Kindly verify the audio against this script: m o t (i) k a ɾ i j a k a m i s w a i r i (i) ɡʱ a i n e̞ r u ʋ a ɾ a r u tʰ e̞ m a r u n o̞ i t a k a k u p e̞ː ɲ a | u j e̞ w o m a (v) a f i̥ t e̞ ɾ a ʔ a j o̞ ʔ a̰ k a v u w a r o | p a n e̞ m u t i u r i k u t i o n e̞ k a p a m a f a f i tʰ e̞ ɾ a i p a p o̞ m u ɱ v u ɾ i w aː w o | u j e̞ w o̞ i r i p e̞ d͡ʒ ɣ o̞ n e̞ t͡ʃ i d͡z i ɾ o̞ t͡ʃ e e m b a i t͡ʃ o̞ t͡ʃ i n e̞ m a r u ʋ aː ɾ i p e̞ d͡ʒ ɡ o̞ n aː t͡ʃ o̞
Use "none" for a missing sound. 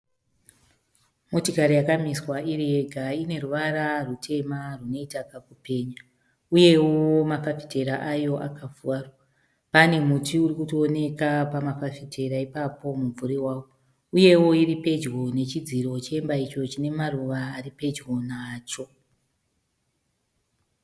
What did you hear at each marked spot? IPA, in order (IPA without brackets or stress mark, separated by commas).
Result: i, e, f